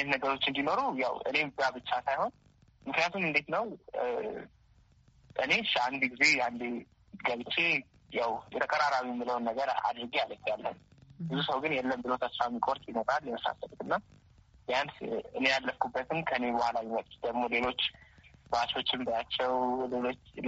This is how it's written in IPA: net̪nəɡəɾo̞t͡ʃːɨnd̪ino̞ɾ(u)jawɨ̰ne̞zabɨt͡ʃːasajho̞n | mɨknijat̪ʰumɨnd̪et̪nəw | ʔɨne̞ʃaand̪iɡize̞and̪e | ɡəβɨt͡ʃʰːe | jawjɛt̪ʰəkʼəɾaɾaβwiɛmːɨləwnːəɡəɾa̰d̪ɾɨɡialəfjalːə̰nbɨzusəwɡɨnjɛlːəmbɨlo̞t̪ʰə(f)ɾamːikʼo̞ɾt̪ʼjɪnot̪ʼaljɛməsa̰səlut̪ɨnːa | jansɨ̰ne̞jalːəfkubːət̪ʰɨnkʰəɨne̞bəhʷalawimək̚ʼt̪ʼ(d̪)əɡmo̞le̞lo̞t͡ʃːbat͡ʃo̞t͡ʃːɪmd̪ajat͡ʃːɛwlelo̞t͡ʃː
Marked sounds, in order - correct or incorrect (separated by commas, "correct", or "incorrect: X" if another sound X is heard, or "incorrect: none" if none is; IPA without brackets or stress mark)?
correct, incorrect: s, correct